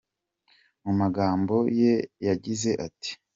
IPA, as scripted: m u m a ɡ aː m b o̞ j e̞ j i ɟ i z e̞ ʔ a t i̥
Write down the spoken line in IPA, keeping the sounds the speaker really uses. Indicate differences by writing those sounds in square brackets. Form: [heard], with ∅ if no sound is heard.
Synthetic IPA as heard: m u m a ɡ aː m b o̞ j e̞ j [a] ɟ i z e̞ ʔ a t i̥